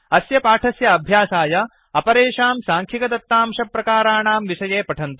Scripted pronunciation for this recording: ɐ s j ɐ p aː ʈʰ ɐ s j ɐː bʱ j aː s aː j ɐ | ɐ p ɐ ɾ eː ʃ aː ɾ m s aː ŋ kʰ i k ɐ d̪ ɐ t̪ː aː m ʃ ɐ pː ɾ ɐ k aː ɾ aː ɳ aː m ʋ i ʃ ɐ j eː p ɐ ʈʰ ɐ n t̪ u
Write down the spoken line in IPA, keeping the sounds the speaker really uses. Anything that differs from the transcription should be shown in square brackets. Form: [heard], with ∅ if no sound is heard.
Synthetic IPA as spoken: ɐ s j ɐ p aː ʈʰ ɐ s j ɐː bʱ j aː s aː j ɐ | ɐ p ɐ ɾ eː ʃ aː [∅] m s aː ŋ kʰ i k ɐ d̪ ɐ t̪ː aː m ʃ ɐ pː ɾ ɐ k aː ɾ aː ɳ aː m ʋ i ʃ ɐ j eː p ɐ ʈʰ ɐ n t̪ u